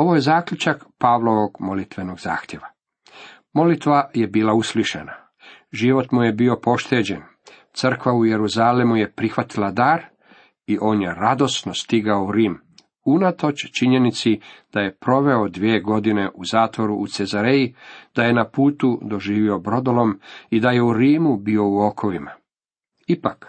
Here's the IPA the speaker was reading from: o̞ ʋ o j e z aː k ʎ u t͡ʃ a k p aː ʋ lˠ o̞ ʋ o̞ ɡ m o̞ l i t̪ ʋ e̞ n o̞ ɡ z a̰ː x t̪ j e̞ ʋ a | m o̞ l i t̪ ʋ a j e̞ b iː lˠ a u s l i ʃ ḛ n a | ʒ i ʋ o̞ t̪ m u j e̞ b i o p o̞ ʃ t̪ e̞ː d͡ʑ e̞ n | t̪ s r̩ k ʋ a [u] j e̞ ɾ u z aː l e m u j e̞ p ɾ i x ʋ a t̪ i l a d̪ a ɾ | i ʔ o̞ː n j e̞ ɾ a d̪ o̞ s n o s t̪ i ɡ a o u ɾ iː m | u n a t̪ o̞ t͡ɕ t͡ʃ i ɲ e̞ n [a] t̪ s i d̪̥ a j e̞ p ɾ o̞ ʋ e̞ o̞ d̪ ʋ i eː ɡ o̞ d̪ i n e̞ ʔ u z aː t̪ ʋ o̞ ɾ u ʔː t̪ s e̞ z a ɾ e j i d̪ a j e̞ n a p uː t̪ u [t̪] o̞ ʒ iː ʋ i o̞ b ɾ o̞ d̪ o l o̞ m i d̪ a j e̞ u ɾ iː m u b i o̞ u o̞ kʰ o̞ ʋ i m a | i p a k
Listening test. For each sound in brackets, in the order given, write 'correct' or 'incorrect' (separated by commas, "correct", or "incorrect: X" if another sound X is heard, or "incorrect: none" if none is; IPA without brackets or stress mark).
correct, incorrect: i, incorrect: d̪